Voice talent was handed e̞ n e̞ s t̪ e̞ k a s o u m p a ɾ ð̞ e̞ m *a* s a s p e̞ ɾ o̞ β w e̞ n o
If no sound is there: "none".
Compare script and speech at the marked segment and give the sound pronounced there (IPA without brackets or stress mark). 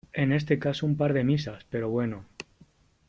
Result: i